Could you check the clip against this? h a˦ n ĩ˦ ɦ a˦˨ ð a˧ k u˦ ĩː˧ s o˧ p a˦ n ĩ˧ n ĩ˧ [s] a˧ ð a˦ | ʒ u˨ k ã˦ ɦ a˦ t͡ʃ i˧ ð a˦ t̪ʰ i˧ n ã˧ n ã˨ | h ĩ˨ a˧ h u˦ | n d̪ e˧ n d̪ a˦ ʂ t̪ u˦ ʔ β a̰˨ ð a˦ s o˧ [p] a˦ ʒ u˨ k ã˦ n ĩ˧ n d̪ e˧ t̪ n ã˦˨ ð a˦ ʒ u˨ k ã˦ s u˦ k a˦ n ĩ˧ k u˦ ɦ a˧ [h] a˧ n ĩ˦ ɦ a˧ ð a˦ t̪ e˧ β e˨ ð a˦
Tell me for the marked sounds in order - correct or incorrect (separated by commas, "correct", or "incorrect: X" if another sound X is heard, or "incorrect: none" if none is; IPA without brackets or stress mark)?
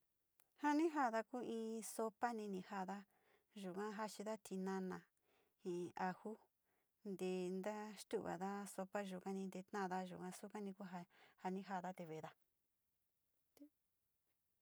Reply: incorrect: h, correct, correct